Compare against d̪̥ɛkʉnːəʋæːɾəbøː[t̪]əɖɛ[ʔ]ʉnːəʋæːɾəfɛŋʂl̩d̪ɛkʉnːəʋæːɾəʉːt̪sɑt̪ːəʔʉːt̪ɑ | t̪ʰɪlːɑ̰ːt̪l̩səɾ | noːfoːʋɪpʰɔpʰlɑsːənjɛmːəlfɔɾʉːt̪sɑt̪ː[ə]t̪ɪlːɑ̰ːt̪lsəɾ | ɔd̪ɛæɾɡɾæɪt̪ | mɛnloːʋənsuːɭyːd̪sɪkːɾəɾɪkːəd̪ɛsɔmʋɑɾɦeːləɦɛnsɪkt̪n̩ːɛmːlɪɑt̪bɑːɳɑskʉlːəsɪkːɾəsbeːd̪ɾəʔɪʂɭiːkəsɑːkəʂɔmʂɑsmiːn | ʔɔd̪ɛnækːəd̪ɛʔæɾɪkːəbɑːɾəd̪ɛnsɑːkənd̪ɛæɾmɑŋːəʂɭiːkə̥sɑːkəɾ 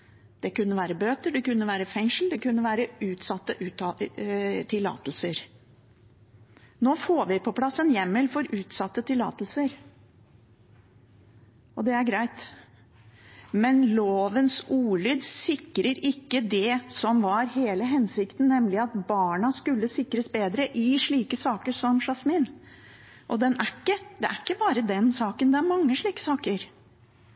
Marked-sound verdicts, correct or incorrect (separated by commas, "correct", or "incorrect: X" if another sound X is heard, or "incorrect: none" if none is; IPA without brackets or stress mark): correct, incorrect: k, correct